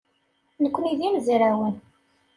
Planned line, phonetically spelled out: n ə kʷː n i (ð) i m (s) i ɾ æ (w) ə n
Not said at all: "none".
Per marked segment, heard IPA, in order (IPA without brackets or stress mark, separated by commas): ð, z, w